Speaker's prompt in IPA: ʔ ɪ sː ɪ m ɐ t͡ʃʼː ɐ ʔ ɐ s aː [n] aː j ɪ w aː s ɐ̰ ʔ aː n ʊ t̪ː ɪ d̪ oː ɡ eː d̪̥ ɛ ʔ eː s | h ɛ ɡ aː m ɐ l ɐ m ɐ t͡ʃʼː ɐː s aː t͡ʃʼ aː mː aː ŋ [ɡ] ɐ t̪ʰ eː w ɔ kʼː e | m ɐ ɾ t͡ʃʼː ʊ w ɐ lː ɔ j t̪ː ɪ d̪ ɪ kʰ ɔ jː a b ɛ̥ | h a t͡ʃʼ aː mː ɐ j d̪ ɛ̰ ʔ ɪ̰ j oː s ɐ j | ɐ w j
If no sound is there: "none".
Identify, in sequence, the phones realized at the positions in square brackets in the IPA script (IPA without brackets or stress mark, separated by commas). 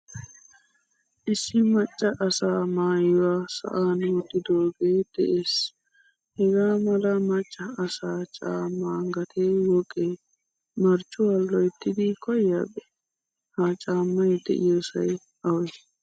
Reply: m, ɡ